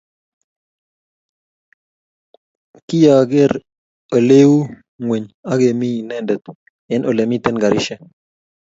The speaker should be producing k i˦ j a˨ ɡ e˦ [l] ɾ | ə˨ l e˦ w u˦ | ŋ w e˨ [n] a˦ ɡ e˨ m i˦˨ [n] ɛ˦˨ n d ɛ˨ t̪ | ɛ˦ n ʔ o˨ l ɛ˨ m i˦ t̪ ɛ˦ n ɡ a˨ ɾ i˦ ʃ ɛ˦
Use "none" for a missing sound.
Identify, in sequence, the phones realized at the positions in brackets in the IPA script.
none, ɲ, n

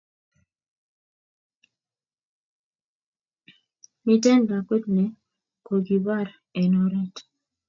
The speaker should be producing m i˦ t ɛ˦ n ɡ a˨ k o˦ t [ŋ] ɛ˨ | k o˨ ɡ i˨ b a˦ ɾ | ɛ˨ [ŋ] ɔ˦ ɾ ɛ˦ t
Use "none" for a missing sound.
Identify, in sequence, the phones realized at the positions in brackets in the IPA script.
n, n

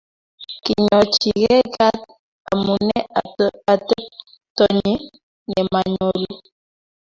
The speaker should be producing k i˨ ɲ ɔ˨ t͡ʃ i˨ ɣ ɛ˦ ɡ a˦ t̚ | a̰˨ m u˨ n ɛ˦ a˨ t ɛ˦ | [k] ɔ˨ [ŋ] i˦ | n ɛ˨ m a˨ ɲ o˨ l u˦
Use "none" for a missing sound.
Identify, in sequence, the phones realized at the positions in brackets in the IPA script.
t, ɲ

